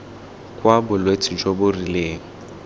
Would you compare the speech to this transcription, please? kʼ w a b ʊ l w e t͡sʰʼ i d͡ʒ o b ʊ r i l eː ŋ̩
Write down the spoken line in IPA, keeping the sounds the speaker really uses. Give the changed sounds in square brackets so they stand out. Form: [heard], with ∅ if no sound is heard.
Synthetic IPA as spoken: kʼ w a b ʊ l w e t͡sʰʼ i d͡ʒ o b ʊ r i l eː ŋ̩